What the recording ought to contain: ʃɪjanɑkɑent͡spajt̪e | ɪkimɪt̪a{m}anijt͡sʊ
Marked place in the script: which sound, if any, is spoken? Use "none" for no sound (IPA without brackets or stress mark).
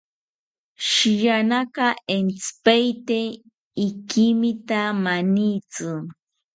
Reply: m